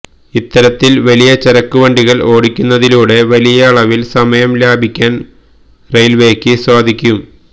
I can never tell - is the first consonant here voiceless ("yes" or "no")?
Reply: yes